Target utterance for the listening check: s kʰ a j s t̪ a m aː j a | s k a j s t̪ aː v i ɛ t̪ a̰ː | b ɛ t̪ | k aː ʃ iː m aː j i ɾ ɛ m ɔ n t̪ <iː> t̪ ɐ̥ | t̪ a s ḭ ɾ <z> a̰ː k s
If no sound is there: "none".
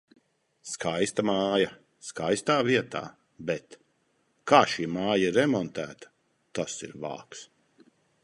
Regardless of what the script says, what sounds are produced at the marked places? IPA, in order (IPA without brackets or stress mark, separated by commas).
æː, v